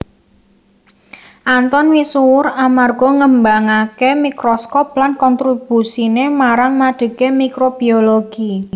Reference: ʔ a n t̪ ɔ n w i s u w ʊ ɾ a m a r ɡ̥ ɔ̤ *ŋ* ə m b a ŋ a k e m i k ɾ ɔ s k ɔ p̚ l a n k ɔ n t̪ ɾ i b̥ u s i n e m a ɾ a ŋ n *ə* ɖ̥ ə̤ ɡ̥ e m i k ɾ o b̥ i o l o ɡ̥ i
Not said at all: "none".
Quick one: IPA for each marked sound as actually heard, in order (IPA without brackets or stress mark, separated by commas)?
ŋ, a